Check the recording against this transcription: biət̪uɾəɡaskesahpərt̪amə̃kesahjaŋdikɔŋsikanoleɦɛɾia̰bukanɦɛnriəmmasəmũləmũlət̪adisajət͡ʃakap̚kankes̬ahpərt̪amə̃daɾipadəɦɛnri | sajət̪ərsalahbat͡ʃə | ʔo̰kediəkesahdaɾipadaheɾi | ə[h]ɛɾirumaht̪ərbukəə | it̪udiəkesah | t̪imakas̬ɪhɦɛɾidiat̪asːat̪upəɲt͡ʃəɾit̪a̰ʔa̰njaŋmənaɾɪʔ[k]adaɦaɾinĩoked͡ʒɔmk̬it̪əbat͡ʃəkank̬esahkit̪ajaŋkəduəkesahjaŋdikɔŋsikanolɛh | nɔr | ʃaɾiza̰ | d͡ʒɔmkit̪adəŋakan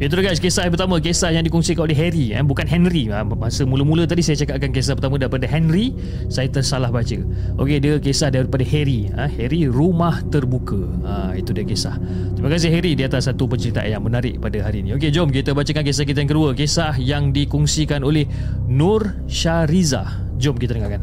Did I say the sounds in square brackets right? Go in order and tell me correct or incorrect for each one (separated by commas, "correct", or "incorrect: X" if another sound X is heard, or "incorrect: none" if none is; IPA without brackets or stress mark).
correct, incorrect: p